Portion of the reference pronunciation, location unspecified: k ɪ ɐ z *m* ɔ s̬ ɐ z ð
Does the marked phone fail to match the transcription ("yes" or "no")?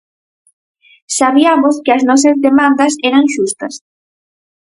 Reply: yes